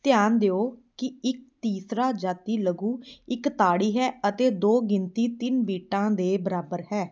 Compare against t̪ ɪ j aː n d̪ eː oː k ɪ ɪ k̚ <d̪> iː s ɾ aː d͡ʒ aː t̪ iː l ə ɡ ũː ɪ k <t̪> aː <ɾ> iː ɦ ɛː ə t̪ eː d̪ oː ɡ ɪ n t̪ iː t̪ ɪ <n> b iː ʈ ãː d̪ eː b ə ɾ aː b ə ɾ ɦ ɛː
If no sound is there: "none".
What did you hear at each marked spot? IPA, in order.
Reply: t̪, t̪, ɽ, n

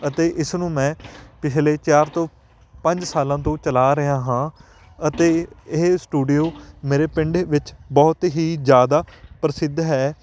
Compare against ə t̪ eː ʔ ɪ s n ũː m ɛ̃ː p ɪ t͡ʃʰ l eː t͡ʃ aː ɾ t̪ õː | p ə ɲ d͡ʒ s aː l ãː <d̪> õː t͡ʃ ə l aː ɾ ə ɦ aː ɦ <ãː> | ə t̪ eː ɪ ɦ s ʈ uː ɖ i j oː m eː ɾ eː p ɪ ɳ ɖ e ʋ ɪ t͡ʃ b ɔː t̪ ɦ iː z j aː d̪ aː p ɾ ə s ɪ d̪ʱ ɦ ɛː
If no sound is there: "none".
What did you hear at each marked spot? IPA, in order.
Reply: t̪, ãː

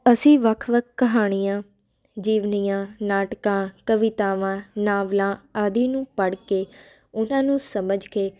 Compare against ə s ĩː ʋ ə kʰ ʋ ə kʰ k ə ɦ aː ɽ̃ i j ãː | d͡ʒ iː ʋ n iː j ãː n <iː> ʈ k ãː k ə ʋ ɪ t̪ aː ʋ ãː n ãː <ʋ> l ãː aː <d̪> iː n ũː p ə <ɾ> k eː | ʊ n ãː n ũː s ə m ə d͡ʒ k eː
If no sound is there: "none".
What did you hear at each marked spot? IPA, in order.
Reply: aː, ʋ, d̪, ɽ

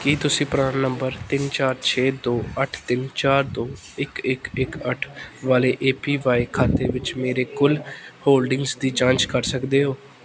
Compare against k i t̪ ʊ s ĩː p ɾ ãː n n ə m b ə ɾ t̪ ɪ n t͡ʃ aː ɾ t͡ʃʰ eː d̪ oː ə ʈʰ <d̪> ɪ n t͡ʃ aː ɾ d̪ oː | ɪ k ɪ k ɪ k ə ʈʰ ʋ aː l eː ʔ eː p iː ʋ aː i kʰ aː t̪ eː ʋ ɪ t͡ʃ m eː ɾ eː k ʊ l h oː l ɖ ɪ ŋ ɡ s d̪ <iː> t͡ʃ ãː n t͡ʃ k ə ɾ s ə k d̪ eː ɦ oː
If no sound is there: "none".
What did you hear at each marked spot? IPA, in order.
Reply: t̪, iː

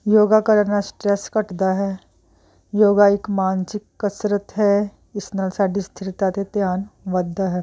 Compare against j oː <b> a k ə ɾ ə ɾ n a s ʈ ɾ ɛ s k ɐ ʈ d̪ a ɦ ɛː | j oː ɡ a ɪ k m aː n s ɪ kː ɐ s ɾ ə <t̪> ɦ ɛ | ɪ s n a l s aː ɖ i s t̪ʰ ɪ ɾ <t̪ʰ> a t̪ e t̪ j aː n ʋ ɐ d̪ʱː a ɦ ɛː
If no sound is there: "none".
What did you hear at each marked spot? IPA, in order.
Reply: ɡ, t̪, t̪

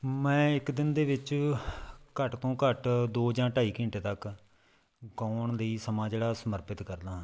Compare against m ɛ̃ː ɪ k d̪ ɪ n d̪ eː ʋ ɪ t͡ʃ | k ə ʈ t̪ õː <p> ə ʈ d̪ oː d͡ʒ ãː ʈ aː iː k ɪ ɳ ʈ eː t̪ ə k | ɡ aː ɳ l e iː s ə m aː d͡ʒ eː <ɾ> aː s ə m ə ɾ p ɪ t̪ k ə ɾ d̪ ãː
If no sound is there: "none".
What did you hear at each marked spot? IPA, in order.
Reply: k, ɽ

